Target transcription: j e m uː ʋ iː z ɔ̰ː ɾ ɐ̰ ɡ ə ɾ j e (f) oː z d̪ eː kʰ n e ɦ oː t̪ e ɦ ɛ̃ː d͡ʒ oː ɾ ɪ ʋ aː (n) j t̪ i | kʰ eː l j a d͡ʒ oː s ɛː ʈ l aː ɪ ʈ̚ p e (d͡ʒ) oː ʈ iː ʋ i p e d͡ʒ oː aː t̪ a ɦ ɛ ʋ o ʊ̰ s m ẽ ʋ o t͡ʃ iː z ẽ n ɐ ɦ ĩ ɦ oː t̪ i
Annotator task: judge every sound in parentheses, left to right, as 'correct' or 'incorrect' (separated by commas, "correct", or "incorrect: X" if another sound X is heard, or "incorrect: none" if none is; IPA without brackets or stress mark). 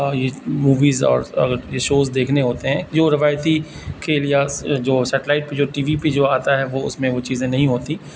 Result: incorrect: ʃ, incorrect: none, correct